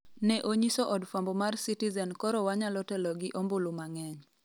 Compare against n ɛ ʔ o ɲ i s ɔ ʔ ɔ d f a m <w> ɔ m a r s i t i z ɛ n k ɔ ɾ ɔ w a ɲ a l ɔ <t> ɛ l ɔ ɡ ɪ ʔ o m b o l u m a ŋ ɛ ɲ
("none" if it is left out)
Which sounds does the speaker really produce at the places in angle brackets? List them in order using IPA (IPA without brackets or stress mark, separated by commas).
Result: b, t